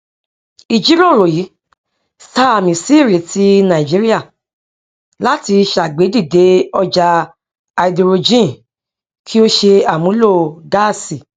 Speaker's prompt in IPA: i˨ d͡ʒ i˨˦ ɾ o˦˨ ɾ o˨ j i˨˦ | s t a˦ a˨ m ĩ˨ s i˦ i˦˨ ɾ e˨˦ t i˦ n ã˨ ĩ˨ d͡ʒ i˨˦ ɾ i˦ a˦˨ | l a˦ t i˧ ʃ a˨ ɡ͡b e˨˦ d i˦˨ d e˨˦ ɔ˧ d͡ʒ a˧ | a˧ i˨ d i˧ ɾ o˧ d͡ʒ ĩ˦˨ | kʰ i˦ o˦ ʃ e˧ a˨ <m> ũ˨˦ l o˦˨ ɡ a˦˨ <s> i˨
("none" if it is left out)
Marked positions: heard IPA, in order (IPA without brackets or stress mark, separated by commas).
m, s